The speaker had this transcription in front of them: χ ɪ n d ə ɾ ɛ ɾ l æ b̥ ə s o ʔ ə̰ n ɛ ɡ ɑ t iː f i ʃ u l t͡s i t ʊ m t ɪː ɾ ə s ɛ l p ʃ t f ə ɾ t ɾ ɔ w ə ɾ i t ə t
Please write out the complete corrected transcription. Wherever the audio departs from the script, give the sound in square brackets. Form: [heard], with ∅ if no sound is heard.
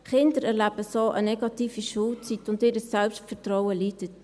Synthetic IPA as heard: χ ɪ n d ə ɾ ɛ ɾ l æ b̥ ə s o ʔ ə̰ n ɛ ɡ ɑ t iː f i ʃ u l t͡s i t ʊ [n] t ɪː ɾ ə s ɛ l p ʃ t f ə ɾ t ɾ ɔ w ə [l] i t ə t